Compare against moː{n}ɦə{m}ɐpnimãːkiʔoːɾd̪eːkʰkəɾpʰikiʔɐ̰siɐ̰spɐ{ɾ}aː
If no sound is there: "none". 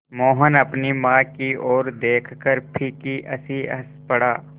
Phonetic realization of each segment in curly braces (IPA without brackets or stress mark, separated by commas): none, n, ɽ